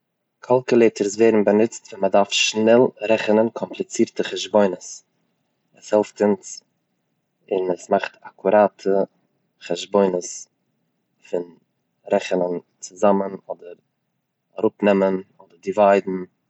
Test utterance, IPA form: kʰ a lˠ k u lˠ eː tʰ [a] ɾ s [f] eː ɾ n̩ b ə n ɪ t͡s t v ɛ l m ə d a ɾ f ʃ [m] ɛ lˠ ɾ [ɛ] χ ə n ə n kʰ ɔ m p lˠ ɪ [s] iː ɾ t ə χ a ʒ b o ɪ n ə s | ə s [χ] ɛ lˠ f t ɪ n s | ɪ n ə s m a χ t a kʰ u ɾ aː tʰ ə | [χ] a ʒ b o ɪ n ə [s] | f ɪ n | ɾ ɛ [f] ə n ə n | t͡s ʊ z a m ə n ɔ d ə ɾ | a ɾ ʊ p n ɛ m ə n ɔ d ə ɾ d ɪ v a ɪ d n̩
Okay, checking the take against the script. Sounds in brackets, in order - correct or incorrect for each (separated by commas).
incorrect, incorrect, incorrect, correct, incorrect, incorrect, correct, correct, incorrect